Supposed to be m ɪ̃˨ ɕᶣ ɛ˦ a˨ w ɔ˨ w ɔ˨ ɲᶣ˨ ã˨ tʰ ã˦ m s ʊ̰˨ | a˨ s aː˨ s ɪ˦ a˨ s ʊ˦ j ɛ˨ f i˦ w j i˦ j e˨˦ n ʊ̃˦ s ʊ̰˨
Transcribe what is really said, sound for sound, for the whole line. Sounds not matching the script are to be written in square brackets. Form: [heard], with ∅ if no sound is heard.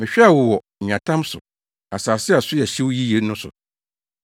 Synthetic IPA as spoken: m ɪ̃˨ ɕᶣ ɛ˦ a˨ w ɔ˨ w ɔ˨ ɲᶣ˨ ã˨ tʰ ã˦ m s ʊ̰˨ | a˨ s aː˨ s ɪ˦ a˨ s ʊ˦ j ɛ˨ [ɕ] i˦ w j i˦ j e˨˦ n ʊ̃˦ s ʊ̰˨